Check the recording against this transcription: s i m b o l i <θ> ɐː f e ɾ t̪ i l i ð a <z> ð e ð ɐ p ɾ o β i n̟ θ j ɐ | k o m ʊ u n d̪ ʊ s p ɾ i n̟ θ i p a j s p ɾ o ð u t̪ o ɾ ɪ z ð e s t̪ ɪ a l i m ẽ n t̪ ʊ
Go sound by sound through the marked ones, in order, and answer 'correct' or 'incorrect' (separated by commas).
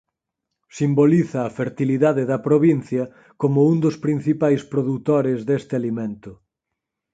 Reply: correct, incorrect